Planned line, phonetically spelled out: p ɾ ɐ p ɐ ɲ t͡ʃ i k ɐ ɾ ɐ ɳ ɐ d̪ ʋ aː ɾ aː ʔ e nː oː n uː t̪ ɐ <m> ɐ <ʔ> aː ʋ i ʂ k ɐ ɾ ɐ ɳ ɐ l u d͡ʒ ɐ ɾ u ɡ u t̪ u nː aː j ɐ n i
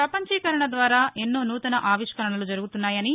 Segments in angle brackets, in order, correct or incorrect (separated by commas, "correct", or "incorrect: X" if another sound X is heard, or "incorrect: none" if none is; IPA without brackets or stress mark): incorrect: n, correct